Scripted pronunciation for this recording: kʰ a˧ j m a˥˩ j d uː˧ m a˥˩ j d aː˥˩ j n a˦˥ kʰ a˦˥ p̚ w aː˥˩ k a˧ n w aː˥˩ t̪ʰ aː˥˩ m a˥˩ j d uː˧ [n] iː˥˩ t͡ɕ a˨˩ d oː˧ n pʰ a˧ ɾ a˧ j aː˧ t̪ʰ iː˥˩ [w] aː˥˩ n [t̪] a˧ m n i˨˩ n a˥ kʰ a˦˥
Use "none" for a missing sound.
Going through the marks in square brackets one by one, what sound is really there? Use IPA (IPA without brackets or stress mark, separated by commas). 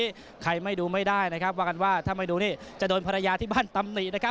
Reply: n, b, t̪